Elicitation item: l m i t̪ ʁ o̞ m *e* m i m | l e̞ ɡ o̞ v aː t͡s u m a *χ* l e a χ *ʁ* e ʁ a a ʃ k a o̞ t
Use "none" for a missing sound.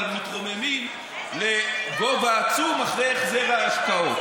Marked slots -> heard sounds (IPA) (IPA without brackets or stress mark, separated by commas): e, χ, z